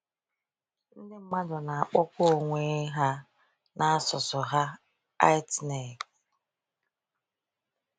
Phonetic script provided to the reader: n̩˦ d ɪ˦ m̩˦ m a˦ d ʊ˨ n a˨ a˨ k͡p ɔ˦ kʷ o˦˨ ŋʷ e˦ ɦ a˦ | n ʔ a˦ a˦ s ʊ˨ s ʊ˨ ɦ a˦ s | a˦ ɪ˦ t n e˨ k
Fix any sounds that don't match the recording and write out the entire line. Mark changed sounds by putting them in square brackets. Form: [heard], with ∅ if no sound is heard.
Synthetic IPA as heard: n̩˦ d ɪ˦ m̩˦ m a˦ d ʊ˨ n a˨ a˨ k͡p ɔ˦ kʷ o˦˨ ŋʷ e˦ ɦ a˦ | n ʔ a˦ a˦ s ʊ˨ s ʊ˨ ɦ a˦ [∅] | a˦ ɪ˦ t n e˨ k